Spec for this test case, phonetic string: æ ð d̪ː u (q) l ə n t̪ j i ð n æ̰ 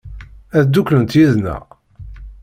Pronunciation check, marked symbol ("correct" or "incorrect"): incorrect